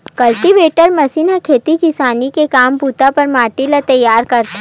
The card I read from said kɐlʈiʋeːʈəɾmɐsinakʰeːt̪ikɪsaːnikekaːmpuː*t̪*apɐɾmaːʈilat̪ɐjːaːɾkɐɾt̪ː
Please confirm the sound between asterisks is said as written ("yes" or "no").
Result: yes